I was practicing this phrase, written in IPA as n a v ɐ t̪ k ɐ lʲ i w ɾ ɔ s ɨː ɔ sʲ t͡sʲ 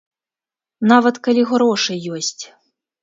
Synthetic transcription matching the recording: n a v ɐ t̪ k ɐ lʲ i ɣ ɾ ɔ ʂ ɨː ɔ sʲ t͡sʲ